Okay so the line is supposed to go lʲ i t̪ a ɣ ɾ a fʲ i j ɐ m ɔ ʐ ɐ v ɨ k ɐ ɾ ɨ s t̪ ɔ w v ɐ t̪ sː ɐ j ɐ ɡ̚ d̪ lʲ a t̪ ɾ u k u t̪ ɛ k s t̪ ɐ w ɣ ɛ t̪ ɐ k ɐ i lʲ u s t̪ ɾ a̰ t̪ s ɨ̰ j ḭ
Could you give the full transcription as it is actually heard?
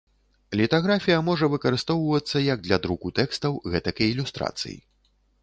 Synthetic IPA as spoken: lʲ i t̪ a ɣ ɾ a fʲ i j ɐ m ɔ ʐ ɐ v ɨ k ɐ ɾ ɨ s t̪ ɔ w v ɐ t̪ sː ɐ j ɐ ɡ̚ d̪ lʲ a d̪ ɾ u k u t̪ ɛ k s t̪ ɐ w ɣ ɛ t̪ ɐ k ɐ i lʲ u s t̪ ɾ a̰ t̪ s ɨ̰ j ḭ